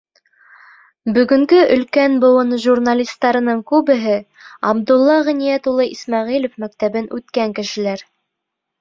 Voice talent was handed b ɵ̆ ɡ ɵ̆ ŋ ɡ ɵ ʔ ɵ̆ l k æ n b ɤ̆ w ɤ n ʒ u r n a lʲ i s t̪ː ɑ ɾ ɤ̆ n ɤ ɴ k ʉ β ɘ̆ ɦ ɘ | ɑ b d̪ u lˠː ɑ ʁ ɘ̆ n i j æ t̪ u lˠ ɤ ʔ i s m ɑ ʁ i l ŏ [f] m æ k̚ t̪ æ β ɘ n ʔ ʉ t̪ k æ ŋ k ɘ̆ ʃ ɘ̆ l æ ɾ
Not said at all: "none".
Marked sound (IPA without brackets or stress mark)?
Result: f